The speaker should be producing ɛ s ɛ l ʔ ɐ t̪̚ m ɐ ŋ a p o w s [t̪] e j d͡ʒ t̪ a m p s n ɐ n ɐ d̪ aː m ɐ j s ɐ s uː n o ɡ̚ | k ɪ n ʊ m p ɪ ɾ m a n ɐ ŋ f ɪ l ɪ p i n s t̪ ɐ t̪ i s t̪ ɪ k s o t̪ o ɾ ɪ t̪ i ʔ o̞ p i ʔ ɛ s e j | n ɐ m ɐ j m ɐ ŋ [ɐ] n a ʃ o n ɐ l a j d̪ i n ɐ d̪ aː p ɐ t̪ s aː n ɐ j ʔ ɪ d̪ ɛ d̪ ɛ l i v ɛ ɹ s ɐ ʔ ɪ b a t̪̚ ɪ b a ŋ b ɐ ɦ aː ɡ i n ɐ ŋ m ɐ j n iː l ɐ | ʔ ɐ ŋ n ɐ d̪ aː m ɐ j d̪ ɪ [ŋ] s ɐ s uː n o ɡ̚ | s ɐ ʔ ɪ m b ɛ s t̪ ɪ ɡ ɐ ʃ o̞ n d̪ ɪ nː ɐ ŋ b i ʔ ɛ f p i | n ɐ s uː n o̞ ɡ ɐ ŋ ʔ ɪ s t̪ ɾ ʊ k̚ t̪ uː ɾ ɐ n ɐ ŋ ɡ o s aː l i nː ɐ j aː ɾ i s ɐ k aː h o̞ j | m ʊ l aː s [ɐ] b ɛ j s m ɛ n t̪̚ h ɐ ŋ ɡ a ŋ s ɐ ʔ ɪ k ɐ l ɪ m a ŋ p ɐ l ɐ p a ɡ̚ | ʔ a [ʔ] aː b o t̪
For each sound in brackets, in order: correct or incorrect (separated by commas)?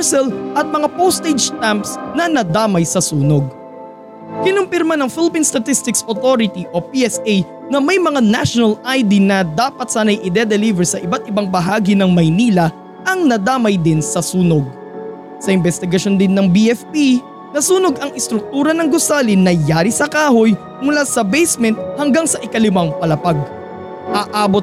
correct, incorrect, incorrect, correct, correct